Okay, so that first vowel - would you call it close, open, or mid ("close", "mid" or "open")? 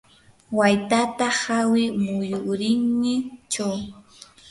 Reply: open